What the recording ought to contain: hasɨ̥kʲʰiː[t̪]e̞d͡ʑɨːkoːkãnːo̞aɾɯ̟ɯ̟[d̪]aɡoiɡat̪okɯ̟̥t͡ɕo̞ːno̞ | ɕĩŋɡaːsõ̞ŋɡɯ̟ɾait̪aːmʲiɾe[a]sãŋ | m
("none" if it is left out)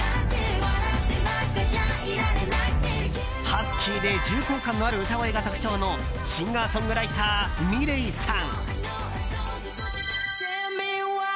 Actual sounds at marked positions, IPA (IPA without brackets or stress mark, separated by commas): d̪, t̪, i